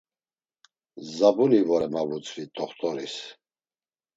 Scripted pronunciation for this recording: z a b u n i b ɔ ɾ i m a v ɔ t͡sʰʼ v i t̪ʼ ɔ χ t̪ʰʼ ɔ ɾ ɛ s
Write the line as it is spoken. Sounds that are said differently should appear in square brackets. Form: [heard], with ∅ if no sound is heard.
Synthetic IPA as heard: z a b u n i [v] ɔ ɾ [ɛ] m a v [u] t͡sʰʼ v i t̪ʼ ɔ χ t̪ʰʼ ɔ ɾ [i] s